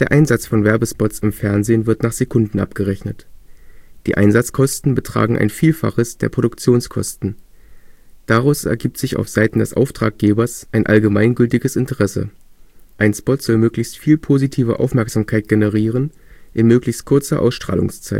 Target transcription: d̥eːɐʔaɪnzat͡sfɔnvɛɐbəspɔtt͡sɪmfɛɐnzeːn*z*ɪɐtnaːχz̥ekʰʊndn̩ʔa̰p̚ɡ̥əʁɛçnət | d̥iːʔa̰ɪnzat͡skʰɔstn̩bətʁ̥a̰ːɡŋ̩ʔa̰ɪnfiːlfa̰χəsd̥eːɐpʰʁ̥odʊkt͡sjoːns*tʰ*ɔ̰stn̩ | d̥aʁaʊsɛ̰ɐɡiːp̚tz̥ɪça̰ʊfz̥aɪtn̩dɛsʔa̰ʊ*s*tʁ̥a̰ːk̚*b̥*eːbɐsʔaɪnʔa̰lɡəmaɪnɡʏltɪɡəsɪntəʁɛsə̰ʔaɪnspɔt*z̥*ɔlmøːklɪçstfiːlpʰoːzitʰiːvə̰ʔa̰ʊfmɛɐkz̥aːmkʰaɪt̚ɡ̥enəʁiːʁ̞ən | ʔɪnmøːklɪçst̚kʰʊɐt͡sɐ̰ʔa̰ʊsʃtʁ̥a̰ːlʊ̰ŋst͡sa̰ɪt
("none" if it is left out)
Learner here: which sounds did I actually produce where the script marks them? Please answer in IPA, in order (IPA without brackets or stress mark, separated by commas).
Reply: v, kʰ, f, ɡ̥, z̥